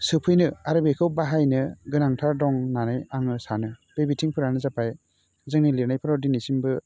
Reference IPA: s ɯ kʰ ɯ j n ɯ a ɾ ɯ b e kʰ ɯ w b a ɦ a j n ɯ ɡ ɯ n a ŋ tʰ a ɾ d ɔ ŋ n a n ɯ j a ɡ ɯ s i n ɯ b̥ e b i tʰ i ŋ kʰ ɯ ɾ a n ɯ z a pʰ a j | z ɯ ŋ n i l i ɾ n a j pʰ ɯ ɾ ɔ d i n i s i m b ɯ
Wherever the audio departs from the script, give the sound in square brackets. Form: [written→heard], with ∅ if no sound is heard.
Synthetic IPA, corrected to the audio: s ɯ [kʰ→pʰ] ɯ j n ɯ a ɾ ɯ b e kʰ ɯ w b a ɦ a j n ɯ ɡ ɯ n a ŋ tʰ a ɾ d ɔ ŋ n a n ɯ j a [ɡ→ŋ] ɯ s [i→a] n ɯ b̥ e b i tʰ i ŋ [kʰ→pʰ] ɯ ɾ a n ɯ z a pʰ a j | z ɯ ŋ n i l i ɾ n a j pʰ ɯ ɾ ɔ d i n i s i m b ɯ